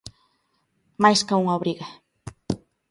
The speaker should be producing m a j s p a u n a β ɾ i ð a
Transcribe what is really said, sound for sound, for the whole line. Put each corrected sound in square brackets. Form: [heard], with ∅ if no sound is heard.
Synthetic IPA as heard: m a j s [k] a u [ŋ] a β ɾ i [ɣ] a